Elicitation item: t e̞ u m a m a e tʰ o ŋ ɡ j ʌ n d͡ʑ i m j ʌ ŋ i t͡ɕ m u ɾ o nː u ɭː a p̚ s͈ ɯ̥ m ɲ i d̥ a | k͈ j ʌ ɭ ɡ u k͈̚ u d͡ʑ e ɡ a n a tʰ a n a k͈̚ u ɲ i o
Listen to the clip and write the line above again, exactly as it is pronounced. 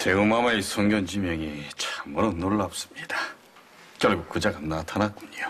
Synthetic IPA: t e̞ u m a m a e sʰ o ŋ ɡ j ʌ n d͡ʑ i m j ʌ ŋ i t͡ɕ m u ɾ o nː o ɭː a p̚ s͈ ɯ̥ m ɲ i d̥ a | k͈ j ʌ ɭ ɡ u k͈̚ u d͡ʑ a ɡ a n a tʰ a n a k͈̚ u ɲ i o